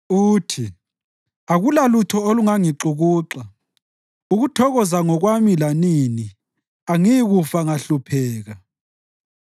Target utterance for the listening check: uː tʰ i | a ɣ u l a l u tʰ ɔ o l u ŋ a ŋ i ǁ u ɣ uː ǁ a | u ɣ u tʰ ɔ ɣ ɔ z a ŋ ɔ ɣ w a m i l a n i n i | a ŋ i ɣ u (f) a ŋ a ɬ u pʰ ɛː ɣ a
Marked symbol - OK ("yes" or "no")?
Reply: yes